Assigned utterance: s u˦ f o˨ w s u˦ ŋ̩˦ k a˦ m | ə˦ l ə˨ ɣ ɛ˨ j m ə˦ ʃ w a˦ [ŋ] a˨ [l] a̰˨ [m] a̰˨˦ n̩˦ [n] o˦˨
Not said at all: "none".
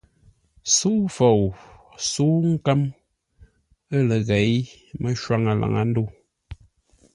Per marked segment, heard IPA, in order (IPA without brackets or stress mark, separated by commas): ŋ, l, ŋ, d